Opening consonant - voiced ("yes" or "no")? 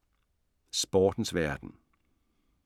no